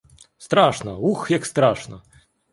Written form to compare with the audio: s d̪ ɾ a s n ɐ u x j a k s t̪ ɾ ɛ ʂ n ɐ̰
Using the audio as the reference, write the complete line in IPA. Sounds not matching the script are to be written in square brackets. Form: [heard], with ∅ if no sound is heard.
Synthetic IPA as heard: s [t̪] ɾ a [ʂ] n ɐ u x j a k s t̪ ɾ [a] ʂ n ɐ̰